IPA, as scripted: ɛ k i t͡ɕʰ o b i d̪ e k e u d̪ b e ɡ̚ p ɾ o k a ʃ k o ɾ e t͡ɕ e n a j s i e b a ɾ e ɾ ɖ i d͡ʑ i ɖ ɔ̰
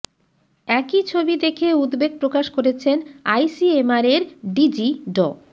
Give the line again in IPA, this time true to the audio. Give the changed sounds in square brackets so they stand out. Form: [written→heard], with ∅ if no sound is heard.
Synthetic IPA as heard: ɛ k i t͡ɕʰ o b i d̪ e [k→kʰ] e u d̪ b e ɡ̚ p ɾ o k a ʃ k o ɾ e [t͡ɕ→t͡ɕʰ] e n a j s i e [b→m] a ɾ e ɾ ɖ i d͡ʑ i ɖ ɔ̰